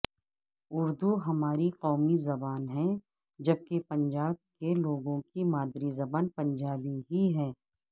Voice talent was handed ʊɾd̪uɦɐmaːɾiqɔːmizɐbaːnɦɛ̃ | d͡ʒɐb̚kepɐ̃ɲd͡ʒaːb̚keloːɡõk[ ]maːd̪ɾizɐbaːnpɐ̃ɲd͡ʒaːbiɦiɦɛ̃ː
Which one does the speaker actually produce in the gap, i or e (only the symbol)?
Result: i